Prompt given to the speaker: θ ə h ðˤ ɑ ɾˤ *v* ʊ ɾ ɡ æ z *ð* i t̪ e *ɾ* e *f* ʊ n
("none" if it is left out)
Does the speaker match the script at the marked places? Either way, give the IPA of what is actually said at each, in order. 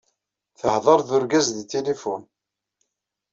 ð, ð, l, f

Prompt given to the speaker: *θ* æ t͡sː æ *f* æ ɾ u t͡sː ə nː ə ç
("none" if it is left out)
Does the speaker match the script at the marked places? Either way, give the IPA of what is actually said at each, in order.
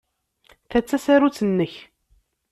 θ, s

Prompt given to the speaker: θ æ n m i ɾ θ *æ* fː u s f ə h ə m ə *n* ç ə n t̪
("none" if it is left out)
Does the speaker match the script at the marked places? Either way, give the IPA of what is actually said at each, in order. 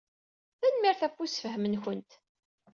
æ, n

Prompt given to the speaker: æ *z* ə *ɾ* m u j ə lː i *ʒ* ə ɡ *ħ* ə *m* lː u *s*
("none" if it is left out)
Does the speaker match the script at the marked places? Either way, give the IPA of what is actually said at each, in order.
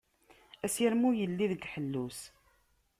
s, ɾ, ð, ħ, none, s

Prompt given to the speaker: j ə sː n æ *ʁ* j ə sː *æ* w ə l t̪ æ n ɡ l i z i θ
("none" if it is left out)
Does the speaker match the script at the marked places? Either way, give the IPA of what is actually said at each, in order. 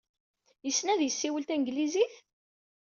ð, i

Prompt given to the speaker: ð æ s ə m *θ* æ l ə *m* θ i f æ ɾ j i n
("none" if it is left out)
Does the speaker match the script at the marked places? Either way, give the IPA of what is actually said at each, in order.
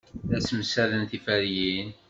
s, n

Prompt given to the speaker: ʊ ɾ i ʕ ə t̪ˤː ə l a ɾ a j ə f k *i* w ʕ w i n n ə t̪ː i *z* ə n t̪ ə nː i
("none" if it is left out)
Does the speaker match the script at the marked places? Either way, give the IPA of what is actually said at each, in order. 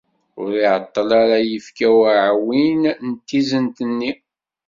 æ, z

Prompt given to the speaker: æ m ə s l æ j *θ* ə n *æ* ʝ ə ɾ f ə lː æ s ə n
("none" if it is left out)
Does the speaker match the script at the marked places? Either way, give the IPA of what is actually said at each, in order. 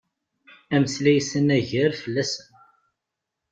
s, æ

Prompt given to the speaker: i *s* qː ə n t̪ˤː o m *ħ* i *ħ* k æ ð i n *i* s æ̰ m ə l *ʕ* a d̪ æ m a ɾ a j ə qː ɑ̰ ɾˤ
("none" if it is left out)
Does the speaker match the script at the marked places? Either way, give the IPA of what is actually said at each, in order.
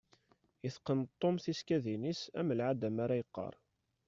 θ, θ, s, i, ʕ

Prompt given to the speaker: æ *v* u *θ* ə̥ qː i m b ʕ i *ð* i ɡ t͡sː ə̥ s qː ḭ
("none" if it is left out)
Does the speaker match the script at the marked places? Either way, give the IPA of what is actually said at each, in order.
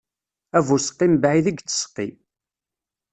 v, s, ð

